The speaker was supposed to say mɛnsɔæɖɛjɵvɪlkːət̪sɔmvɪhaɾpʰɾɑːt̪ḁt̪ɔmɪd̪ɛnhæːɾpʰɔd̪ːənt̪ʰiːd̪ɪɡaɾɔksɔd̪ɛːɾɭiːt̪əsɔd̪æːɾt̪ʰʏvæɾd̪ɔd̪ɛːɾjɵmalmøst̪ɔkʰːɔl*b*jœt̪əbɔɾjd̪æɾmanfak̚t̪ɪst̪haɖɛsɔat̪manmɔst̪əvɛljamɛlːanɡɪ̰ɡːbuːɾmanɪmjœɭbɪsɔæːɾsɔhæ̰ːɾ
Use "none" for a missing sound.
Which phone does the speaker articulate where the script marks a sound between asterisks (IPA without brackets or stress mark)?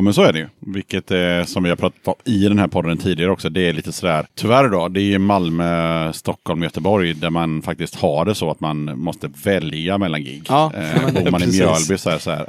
m